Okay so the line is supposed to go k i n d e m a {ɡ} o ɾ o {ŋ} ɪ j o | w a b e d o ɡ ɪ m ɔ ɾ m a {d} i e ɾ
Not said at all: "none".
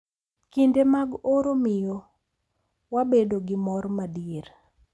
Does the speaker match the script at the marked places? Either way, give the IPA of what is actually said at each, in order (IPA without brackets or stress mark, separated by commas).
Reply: ɡ, m, d